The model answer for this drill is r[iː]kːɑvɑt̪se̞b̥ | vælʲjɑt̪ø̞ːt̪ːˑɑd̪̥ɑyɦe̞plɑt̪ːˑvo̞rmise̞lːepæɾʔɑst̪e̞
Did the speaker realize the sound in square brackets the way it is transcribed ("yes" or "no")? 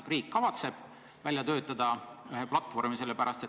yes